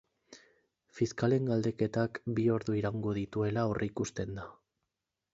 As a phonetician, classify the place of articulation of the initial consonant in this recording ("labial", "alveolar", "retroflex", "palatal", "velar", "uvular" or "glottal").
labial